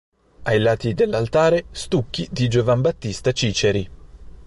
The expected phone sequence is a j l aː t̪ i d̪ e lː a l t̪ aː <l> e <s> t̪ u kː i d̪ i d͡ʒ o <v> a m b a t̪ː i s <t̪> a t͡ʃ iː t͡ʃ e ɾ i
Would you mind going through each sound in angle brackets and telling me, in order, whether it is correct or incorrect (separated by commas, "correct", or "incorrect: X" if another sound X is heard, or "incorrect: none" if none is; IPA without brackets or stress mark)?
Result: incorrect: ɾ, correct, correct, correct